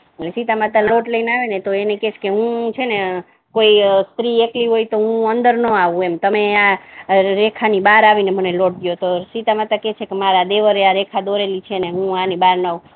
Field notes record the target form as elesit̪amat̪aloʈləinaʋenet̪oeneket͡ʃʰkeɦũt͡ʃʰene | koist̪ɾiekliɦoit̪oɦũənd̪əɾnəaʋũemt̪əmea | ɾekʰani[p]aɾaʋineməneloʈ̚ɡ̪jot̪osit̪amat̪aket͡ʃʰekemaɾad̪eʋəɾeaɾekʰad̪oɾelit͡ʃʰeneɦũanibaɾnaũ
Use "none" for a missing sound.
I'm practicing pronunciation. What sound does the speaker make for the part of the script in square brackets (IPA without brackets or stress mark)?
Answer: b